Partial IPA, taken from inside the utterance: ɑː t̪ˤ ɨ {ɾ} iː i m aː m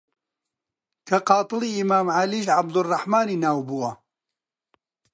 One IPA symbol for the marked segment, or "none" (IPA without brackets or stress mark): l